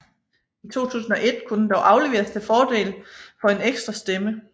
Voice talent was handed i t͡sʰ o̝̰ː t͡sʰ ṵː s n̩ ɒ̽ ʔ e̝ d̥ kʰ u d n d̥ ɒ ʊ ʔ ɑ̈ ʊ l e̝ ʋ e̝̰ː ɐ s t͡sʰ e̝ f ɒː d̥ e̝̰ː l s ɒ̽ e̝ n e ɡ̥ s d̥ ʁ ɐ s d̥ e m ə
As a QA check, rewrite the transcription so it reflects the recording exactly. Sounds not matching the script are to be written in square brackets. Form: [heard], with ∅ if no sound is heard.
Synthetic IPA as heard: i t͡sʰ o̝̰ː t͡sʰ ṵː s n̩ ɒ̽ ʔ e̝ d̥ kʰ u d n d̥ ɒ ʊ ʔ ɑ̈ ʊ l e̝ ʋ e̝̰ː ɐ s t͡sʰ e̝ f ɒː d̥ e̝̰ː l [f] ɒ̽ e̝ n e ɡ̥ s d̥ ʁ ɐ s d̥ e m ə

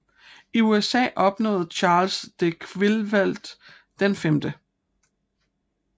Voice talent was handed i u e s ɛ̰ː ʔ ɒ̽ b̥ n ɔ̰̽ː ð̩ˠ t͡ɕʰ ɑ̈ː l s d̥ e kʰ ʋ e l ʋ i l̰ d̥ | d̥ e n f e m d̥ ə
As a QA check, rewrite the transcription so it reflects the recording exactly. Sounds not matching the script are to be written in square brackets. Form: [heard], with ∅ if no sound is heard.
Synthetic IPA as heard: i u e s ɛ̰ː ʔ ɒ̽ b̥ n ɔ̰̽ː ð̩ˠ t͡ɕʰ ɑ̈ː l s d̥ e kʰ ʋ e l ʋ [æ] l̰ d̥ | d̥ e n f e m d̥ ə

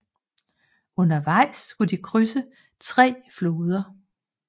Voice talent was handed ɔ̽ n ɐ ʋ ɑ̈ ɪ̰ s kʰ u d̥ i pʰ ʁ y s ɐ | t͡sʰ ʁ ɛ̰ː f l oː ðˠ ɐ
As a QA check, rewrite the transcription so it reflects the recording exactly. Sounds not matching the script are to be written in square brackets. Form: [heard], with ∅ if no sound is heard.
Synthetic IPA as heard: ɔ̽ n ɐ ʋ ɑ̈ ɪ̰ s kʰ u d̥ i [kʰ] ʁ y s [ə] | t͡sʰ ʁ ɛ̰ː f l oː ðˠ ɐ

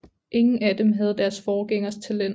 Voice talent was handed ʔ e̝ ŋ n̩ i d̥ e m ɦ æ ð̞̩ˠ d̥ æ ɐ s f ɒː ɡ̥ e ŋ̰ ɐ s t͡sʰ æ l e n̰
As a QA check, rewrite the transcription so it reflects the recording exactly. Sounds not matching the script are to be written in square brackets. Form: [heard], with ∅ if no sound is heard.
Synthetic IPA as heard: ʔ e̝ ŋ n̩ [æ] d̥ e m ɦ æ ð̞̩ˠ d̥ æ ɐ s f ɒː ɡ̥ e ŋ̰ ɐ s t͡sʰ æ l e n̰

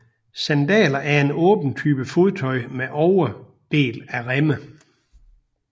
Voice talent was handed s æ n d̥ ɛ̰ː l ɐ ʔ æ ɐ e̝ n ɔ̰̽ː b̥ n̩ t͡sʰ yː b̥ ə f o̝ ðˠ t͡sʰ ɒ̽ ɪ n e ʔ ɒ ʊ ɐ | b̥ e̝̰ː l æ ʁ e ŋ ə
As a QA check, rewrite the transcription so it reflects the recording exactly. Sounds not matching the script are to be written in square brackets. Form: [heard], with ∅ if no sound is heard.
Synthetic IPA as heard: s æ n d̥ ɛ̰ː l ɐ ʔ æ ɐ e̝ n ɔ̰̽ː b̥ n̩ t͡sʰ yː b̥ ə f o̝ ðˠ t͡sʰ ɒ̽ ɪ [m] e ʔ ɒ ʊ ɐ | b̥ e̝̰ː l æ ʁ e [m] ə

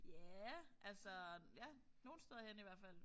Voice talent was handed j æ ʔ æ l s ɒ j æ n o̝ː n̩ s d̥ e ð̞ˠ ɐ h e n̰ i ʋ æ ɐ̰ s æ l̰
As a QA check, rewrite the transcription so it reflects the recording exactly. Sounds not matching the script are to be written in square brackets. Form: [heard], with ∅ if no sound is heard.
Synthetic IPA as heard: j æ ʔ æ l s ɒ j æ n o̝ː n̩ s d̥ e ð̞ˠ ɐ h e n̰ i ʋ æ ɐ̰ [f] æ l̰

